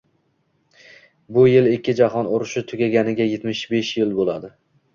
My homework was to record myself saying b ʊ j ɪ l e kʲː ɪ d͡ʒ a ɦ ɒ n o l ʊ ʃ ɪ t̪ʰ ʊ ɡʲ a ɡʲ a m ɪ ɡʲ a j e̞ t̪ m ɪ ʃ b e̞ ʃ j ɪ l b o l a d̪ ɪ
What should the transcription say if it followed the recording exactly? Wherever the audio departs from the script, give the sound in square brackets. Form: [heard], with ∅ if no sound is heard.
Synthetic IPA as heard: b ʊ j ɪ l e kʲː ɪ d͡ʒ a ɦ ɒ n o [ɾ] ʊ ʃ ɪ t̪ʰ ʊ ɡʲ a ɡʲ a [n] ɪ ɡʲ a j e̞ t̪ m ɪ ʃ b e̞ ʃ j ɪ l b o l a d̪ ɪ